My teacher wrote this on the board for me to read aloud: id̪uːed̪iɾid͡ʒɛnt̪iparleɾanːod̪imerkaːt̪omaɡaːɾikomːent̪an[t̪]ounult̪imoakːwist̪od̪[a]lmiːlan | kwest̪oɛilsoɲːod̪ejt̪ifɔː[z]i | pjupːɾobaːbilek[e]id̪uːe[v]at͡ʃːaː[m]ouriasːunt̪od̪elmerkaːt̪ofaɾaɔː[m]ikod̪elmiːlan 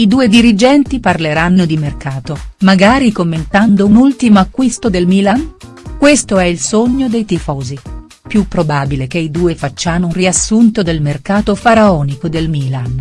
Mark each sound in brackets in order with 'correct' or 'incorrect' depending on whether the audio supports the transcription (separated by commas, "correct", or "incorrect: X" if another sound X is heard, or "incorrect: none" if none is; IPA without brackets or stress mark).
incorrect: d̪, incorrect: e, correct, correct, incorrect: f, incorrect: n, incorrect: n